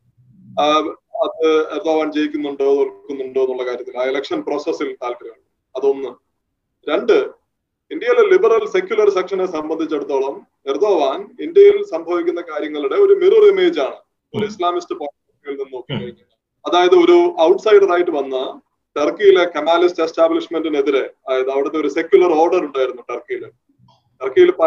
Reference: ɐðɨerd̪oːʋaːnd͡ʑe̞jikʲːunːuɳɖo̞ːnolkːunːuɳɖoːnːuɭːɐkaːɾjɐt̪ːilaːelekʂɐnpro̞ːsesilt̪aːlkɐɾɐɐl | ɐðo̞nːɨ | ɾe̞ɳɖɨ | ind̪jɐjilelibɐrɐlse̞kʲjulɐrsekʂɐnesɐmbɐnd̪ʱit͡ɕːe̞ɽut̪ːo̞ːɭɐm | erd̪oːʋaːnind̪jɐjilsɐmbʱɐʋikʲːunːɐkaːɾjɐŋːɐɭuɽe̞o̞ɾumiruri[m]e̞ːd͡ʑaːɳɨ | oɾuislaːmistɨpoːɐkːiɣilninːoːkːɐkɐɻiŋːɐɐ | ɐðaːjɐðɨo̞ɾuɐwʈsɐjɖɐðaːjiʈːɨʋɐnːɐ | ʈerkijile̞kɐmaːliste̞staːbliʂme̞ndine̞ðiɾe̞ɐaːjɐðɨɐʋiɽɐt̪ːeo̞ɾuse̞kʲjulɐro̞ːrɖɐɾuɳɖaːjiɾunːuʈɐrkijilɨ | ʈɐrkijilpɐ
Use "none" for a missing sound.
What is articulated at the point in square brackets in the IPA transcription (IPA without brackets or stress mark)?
m